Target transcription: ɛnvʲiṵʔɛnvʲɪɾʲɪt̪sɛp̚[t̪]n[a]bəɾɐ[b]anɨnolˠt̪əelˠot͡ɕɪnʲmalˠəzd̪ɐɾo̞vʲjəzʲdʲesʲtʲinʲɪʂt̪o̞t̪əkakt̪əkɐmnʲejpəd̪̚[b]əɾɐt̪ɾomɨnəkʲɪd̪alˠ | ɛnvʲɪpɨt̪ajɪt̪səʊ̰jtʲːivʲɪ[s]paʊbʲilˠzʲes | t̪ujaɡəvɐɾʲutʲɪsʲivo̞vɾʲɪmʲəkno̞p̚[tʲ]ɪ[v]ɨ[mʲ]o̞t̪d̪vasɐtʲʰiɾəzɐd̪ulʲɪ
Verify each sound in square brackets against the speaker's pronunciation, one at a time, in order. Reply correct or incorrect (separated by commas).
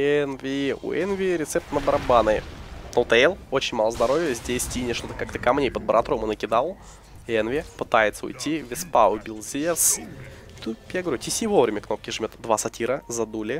correct, incorrect, correct, correct, correct, incorrect, incorrect, correct